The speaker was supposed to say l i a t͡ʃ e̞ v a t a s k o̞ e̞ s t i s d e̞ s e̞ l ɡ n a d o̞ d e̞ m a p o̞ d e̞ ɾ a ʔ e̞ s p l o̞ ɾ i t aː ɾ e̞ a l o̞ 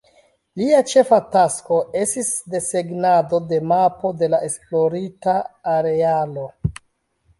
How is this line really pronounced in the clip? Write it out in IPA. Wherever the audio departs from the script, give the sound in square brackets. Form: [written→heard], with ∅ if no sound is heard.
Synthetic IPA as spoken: l i a t͡ʃ e̞ [v→f] a t a s k o̞ e̞ s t i s d e̞ s e̞ [l→∅] ɡ n a d o̞ d e̞ m a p o̞ d e̞ [ɾ→l] a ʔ e̞ s p l o̞ ɾ i t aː ɾ e̞ a l o̞